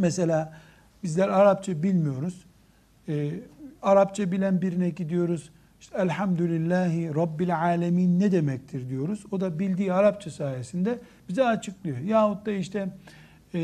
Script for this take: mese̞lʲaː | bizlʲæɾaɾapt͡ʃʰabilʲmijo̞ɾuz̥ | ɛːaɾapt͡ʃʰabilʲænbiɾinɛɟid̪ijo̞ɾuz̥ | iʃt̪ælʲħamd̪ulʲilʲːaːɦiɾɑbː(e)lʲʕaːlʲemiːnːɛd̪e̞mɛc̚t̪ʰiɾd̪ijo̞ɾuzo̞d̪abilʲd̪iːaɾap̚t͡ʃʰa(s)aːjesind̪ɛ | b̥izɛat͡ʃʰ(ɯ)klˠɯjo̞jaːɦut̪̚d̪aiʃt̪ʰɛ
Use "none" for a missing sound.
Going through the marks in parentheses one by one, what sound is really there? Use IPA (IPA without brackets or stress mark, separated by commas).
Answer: i, s, ɯ